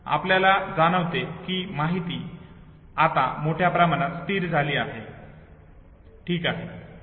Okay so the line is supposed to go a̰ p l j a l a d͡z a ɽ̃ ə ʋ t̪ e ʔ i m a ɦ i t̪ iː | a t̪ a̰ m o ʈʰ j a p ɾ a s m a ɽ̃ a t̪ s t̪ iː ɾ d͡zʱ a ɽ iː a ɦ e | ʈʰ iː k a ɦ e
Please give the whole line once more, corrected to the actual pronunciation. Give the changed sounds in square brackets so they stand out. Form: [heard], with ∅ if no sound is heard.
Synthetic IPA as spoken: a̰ p l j a l a d͡z a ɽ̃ ə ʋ t̪ e [k] i m a ɦ i t̪ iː | a t̪ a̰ m o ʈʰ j a p ɾ a [∅] m a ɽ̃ a t̪ s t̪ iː ɾ d͡zʱ a [l] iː a ɦ e | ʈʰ iː k a ɦ e